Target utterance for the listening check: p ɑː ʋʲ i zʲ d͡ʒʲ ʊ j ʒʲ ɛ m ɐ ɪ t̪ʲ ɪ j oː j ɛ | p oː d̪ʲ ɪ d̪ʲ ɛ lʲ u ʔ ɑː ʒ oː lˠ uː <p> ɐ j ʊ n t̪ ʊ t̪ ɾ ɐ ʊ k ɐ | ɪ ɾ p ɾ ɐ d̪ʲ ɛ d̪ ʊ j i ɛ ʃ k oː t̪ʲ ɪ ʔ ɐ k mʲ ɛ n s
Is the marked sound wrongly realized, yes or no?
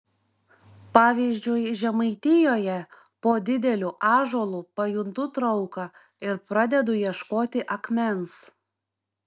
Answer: no